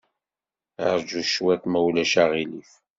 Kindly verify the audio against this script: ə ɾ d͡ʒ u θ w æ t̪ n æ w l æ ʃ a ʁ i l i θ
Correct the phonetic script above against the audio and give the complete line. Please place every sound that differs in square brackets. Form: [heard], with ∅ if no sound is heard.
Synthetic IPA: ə ɾ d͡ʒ u [ʃ] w æ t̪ [m] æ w l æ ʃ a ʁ i l i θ